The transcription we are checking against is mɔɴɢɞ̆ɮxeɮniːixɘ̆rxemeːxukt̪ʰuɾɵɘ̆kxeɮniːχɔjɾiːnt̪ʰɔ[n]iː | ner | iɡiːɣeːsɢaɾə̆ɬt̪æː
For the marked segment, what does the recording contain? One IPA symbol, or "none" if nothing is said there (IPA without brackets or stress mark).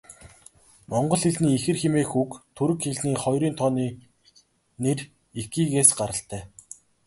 n